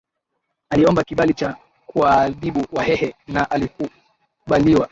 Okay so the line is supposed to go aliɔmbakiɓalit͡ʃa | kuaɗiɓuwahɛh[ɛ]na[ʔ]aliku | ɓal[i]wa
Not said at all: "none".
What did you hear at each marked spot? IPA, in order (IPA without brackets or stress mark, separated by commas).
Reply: ɛ, ʔ, i